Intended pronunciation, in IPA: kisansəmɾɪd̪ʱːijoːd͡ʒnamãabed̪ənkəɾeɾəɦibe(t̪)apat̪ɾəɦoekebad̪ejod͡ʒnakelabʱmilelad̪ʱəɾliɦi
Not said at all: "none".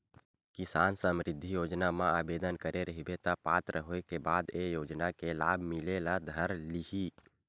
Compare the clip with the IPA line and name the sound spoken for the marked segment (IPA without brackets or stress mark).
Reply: t̪